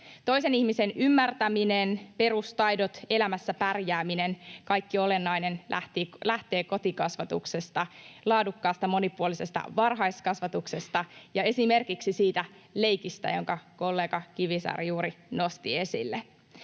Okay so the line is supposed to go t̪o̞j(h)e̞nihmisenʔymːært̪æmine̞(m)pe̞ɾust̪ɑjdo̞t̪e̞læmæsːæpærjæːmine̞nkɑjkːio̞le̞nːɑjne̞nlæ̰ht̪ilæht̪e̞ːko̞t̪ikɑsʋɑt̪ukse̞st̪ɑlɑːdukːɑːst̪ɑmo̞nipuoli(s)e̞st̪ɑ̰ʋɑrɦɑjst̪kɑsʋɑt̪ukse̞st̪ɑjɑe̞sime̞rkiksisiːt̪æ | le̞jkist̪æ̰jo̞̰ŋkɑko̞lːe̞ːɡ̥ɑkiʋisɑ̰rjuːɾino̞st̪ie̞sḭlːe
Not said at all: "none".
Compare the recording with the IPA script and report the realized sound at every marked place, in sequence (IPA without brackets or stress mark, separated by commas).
s, n, s